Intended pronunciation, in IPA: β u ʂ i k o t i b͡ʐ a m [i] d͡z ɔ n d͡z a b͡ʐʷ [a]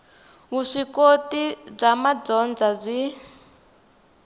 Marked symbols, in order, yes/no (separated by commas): no, no